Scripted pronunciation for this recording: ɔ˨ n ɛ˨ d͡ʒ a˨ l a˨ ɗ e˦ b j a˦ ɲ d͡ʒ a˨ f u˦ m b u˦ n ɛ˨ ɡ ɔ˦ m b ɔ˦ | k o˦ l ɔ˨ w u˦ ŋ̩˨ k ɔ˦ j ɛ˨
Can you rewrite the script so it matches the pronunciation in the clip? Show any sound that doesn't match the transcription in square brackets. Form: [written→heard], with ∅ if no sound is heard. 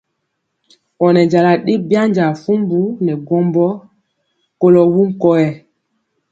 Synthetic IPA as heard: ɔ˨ n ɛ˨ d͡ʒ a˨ l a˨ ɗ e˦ b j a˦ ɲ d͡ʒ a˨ f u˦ m b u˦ n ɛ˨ ɡ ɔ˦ m b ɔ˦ | k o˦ l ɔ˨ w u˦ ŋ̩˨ k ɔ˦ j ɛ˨